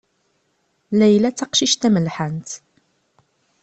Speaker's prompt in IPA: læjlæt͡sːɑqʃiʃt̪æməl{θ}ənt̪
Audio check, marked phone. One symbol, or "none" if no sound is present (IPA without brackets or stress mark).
ħ